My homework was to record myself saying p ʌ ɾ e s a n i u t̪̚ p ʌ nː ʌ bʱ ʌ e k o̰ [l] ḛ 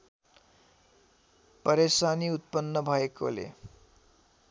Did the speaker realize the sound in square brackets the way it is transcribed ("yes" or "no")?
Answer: yes